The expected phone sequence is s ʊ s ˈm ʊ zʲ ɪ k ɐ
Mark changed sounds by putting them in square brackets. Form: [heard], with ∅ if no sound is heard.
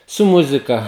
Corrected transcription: s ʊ [∅] ˈm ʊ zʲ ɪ k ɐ